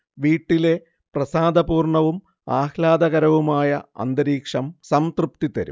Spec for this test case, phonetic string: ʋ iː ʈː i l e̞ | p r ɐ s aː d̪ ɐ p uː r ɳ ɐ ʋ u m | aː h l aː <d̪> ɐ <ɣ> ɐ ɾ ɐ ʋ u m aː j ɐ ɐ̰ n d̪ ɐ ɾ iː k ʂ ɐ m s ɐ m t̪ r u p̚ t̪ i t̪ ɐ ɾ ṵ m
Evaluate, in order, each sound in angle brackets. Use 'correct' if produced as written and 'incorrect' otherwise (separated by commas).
correct, correct